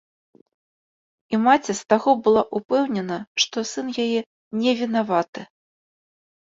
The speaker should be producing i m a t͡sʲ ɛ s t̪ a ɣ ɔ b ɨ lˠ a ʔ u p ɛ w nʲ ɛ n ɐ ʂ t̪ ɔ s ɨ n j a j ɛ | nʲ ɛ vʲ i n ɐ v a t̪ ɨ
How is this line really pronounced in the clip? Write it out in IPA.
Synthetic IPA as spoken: i m a t͡sʲ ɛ s t̪ a ɣ ɔ b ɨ lˠ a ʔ u p ɛ w nʲ ɛ n ɐ ʂ t̪ ɔ s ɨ n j a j ɛ | nʲ ɛ vʲ i n a v a t̪ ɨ

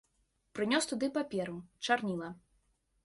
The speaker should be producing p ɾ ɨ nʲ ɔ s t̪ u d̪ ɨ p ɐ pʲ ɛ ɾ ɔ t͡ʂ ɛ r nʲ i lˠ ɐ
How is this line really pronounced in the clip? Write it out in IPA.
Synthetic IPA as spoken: p ɾ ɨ nʲ ɔ s t̪ u d̪ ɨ p a pʲ ɛ ɾ u t͡ʂ a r nʲ i lˠ ɐ

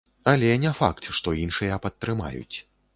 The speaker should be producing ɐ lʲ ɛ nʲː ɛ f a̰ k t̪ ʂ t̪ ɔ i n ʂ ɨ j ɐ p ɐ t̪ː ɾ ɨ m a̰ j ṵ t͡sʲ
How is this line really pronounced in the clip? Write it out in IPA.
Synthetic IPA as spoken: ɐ lʲ ɛ nʲ ɛ f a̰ k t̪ ʂ t̪ ɔ i n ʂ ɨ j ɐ p ɐ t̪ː ɾ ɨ m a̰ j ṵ t͡sʲ

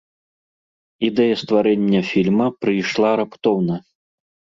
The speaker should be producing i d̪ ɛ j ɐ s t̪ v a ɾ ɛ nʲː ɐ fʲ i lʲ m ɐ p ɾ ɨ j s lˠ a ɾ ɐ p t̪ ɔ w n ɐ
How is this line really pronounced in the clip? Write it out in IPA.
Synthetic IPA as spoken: i d̪ ɛ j ɐ s t̪ v a ɾ ɛ nʲː ɐ fʲ i lʲ m ɐ p ɾ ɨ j ʂ lˠ a ɾ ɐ p t̪ ɔ w n ɐ

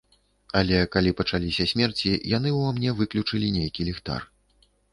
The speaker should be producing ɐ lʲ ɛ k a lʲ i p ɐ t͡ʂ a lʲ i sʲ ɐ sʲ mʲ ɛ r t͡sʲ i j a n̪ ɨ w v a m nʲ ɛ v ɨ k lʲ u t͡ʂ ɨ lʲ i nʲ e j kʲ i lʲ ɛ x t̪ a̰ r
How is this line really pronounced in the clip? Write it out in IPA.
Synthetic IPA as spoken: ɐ lʲ ɛ k a lʲ i p ɐ t͡ʂ a lʲ i sʲ ɐ sʲ mʲ ɛ r t͡sʲ i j a n̪ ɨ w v a m nʲ ɛ v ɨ k lʲ u t͡ʂ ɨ lʲ i nʲ e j kʲ i lʲ ɛ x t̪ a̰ r

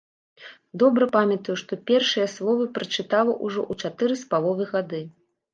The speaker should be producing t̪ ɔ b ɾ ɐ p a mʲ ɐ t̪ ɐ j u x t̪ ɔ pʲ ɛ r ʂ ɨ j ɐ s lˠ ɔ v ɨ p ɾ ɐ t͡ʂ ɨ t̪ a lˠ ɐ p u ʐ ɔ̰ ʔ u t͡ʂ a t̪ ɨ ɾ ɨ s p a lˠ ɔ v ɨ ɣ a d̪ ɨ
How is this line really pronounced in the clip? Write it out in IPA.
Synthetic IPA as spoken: d̪ ɔ b ɾ ɐ p a mʲ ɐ t̪ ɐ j u ʂ t̪ ɔ pʲ ɛ r ʂ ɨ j ɐ s lˠ ɔ v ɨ p ɾ ɐ t͡ʂ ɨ t̪ a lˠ ɐ ʔ u ʐ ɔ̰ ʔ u t͡ʂ a t̪ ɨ ɾ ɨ s p a lˠ ɔ v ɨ ɣ a d̪ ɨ

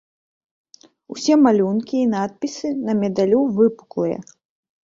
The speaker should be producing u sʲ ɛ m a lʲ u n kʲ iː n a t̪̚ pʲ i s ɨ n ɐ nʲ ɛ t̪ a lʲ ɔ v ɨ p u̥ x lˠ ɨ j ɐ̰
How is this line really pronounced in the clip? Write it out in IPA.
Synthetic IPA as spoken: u sʲ ɛ m a lʲ u n kʲ iː n a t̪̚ pʲ i s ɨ n ɐ mʲ ɛ d̪ a lʲ u v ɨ p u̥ k lˠ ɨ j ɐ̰

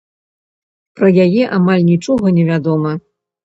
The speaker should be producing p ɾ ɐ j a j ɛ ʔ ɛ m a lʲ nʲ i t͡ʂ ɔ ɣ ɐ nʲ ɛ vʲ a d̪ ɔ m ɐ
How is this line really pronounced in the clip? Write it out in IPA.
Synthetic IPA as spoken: p ɾ ɐ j a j ɛ ʔ a m a lʲ nʲ i t͡ʂ ɔ ɣ ɐ nʲ ɛ vʲ a d̪ ɔ m ɐ

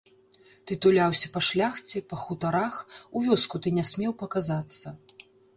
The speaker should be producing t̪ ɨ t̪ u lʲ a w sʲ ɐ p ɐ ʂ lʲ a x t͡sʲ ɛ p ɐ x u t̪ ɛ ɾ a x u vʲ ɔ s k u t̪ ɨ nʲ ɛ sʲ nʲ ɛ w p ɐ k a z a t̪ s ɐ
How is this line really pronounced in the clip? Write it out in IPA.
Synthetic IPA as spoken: t̪ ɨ t̪ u lʲ a w sʲ ɐ p ɐ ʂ lʲ a x t͡sʲ ɛ p ɐ x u t̪ a ɾ a x u vʲ ɔ s k u t̪ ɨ nʲ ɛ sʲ mʲ ɛ w p ɐ k a z a t̪ sː ɐ

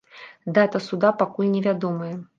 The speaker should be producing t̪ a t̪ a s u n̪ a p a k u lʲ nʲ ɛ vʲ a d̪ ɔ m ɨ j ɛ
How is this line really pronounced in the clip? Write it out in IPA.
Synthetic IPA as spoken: d̪ a t̪ ɐ s u d̪ a p a k u lʲ nʲ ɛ vʲ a d̪ ɔ m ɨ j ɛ

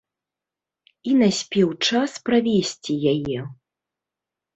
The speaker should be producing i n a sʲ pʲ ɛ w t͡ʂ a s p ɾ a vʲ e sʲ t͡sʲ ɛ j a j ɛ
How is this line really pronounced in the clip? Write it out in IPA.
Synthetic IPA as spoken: i n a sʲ pʲ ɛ w t͡ʂ a s p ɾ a vʲ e sʲ t͡sʲ i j a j ɛ

